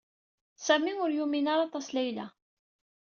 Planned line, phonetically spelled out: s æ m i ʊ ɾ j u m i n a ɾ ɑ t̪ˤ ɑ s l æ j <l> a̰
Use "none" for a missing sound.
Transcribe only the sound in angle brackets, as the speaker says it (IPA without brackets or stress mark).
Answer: l